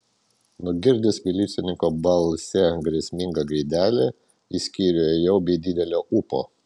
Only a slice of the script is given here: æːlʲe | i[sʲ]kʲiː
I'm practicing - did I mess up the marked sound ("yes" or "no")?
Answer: no